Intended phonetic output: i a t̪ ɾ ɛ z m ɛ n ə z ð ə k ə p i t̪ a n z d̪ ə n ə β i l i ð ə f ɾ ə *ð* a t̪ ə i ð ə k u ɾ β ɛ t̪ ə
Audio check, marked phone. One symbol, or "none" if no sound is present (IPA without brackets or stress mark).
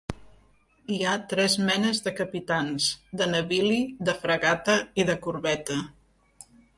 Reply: ɣ